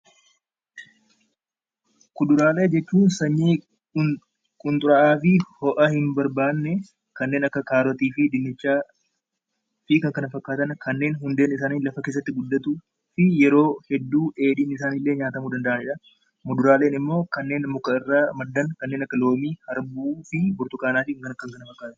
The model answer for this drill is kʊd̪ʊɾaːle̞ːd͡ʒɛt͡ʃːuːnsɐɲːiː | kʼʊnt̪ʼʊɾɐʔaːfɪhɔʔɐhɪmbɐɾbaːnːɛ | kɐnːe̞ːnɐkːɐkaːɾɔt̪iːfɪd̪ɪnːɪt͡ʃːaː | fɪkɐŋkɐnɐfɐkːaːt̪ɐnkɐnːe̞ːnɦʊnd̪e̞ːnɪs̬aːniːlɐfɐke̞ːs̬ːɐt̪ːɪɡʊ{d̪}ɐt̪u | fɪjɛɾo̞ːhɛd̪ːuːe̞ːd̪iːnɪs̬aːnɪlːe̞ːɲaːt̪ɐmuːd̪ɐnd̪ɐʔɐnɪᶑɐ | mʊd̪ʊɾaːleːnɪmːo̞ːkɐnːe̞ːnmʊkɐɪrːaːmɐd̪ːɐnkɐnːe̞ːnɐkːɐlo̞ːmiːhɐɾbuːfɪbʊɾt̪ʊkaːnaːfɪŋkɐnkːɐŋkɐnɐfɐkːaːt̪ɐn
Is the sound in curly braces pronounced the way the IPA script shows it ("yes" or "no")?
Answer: no